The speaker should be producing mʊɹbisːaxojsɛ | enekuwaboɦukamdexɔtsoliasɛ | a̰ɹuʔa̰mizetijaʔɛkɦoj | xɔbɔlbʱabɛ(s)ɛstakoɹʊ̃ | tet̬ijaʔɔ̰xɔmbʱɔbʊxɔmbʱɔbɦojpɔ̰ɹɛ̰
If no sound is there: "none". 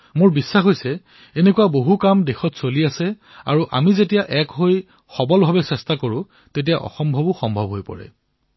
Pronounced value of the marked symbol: s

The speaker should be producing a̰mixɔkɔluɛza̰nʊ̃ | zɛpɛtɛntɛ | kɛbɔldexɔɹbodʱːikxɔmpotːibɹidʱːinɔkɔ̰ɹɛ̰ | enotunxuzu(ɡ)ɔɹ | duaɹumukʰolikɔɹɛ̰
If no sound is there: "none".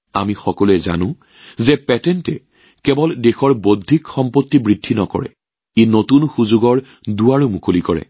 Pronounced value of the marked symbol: ɡ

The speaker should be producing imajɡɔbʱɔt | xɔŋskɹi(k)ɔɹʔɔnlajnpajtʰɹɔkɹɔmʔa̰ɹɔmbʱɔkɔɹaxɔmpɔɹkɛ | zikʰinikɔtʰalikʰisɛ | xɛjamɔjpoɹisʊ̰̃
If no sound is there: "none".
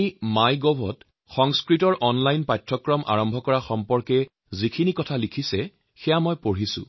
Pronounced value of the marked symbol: t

